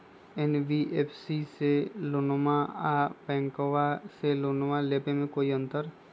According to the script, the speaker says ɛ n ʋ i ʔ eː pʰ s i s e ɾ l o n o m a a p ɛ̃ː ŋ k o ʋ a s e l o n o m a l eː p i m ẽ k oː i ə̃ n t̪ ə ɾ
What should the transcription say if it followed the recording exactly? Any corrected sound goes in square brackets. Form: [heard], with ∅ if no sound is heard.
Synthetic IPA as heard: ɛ n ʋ i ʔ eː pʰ s i s e [∅] l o n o m a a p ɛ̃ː ŋ k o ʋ a s e l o n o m a l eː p [e] m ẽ k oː i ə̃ n t̪ ə ɾ